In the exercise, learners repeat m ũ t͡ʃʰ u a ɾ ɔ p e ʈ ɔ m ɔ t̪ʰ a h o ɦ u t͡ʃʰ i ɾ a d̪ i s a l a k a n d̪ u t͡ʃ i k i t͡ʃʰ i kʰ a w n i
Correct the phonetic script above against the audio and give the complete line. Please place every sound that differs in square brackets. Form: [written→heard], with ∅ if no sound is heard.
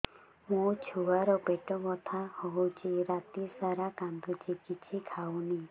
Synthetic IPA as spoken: m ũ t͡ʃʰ u a ɾ ɔ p e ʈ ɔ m ɔ t̪ʰ a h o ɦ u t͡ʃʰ i ɾ a [d̪→t̪] i s a [l→ɾ] a k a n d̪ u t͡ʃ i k i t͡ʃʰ i kʰ a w n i